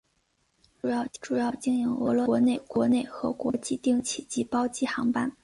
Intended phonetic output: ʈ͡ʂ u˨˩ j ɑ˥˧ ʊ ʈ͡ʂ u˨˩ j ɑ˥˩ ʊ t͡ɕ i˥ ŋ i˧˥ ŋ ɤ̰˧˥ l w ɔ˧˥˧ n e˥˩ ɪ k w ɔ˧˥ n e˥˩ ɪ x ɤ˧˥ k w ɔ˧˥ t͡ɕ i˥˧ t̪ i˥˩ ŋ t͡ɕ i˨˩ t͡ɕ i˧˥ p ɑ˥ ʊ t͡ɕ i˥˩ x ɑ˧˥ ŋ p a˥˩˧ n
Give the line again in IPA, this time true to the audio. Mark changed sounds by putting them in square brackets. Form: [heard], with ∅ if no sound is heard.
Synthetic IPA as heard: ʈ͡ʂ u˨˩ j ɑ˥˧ ʊ ʈ͡ʂ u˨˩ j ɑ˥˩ ʊ t͡ɕ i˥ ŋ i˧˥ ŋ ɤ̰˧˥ l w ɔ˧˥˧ n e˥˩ ɪ k w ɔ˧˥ n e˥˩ ɪ x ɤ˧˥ k w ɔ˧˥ t͡ɕ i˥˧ t̪ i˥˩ ŋ [t͡ɕʰ] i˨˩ t͡ɕ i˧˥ p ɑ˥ ʊ t͡ɕ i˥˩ x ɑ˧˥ ŋ p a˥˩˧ n